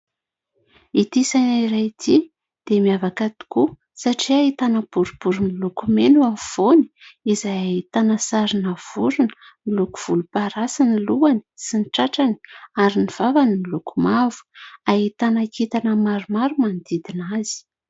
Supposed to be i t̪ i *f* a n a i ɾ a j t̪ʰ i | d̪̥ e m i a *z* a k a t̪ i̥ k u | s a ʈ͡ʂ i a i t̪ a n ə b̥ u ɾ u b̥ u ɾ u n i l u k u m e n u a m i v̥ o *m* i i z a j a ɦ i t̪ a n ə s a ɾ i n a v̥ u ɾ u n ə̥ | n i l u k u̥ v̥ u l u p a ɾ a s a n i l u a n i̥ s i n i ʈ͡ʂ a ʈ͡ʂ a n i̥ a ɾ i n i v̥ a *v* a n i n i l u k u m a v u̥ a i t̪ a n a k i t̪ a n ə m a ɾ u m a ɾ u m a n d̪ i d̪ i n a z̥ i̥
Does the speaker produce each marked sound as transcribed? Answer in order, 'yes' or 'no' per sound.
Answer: no, no, no, yes

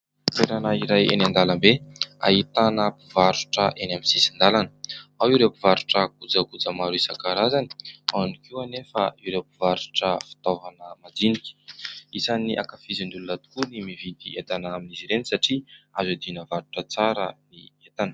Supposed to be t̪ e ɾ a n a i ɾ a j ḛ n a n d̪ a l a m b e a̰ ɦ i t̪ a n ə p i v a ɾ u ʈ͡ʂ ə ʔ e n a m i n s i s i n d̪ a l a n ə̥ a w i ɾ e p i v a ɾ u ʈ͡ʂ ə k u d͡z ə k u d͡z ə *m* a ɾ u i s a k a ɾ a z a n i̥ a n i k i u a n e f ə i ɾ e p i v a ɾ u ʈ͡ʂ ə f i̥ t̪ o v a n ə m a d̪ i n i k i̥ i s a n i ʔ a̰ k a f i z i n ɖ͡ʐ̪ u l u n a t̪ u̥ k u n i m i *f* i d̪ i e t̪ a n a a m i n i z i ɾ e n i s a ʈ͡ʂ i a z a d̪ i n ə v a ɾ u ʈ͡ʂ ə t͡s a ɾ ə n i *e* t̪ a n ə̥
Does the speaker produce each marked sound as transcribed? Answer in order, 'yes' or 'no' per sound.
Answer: yes, no, yes

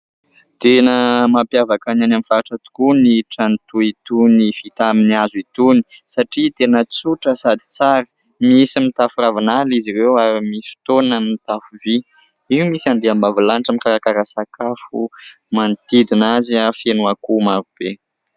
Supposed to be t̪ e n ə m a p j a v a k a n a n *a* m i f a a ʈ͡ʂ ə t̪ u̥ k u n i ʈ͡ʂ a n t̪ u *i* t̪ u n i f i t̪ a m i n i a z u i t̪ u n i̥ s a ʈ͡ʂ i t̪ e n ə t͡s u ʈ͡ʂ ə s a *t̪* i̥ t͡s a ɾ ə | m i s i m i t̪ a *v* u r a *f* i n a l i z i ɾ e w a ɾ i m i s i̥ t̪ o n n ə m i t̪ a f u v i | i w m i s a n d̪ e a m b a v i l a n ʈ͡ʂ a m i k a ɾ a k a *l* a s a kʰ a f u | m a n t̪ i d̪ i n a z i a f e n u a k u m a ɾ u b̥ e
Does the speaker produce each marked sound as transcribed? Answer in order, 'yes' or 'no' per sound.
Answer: yes, yes, no, no, no, no

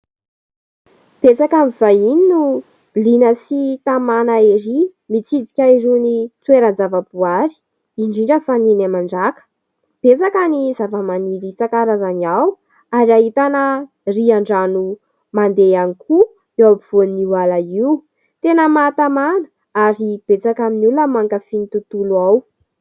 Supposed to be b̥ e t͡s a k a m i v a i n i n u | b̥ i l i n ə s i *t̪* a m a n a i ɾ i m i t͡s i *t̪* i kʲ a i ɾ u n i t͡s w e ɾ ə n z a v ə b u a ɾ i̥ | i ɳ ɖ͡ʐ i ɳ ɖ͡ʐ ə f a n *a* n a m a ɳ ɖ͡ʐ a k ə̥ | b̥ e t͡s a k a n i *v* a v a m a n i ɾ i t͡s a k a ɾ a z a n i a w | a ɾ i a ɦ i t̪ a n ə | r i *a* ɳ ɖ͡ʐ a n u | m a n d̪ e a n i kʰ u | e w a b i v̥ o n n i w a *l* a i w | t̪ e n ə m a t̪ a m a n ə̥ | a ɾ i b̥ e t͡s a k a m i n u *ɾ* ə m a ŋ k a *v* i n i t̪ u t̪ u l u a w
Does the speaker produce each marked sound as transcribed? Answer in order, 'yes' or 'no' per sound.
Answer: yes, no, no, no, yes, yes, no, no

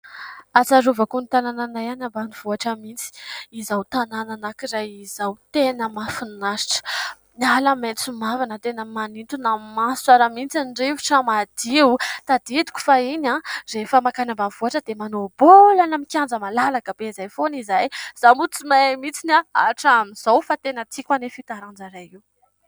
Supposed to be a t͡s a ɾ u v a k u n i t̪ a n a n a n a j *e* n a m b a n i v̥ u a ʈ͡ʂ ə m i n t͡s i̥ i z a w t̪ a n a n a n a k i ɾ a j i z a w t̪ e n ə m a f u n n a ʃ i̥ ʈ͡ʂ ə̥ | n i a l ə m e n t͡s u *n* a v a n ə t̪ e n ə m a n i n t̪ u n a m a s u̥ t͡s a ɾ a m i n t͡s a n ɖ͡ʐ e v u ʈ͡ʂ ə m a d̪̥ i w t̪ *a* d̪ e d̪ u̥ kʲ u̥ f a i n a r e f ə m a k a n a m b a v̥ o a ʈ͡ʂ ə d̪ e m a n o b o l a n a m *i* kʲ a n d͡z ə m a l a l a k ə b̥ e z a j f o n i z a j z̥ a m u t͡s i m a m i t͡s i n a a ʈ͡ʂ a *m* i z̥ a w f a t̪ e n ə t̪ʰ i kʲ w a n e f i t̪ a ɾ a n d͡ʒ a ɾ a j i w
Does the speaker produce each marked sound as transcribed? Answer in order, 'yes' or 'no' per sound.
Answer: no, no, yes, yes, yes

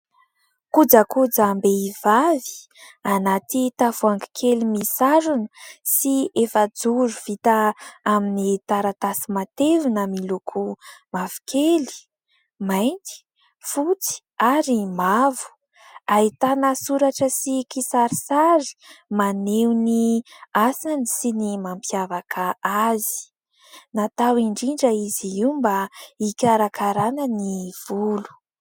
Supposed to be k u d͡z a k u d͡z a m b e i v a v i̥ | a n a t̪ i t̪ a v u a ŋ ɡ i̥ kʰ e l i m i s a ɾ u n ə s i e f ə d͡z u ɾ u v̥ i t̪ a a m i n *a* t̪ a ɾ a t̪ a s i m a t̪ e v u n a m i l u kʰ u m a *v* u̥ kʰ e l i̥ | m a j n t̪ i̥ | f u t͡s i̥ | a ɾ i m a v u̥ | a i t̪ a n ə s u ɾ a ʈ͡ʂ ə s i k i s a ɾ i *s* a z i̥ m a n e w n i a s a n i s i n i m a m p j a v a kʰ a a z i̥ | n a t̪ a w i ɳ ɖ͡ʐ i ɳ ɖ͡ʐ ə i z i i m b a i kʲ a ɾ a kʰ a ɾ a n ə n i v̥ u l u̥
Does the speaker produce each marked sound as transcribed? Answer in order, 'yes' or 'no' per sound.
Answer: no, yes, yes

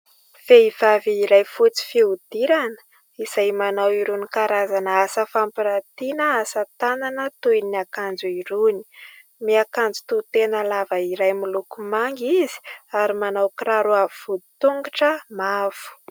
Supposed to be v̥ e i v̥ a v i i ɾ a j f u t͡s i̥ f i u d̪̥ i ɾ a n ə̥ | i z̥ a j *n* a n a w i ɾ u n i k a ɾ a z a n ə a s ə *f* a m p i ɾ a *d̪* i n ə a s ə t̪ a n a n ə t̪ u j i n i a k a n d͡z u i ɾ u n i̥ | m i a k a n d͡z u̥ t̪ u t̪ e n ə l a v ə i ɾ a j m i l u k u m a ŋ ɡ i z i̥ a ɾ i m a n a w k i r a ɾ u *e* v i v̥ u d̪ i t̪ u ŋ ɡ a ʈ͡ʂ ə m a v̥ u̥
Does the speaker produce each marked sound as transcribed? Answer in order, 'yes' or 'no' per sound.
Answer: no, yes, no, no

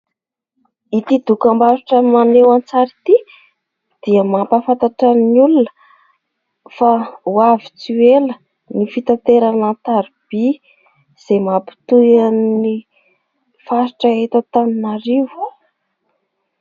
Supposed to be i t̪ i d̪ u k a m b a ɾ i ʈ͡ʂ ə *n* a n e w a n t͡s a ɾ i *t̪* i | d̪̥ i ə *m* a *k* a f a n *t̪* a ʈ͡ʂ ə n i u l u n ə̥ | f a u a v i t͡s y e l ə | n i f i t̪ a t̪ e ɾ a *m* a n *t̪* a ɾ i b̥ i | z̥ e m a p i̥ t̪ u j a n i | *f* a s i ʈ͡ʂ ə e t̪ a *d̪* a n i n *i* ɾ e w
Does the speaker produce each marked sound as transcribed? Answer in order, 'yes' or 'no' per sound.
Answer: no, yes, yes, no, yes, no, yes, yes, no, no

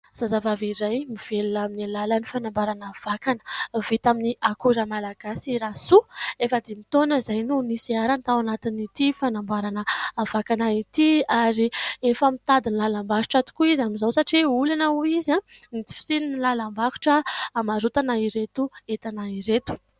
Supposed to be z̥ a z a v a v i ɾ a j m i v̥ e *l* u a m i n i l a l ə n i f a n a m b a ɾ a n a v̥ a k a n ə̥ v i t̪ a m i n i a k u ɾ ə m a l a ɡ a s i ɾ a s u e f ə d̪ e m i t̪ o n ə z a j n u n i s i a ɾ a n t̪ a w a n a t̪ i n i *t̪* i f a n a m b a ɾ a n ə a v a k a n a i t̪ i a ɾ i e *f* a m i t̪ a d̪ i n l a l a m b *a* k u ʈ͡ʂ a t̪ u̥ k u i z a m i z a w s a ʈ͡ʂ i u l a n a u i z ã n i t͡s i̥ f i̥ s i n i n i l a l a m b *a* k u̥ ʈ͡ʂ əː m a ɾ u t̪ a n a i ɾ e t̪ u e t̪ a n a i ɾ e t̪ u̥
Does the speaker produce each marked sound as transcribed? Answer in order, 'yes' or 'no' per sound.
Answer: yes, yes, yes, yes, yes

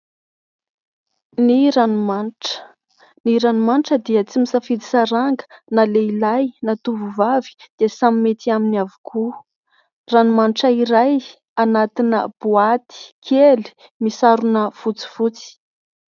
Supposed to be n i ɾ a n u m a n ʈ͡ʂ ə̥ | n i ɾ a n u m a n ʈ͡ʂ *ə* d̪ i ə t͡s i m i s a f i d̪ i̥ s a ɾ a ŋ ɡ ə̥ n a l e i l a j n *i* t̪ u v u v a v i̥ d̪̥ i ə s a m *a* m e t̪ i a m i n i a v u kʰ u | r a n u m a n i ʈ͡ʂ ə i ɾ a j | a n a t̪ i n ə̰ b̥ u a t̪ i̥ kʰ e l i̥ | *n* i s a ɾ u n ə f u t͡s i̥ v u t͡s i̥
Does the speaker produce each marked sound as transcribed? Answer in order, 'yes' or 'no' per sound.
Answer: yes, no, no, no

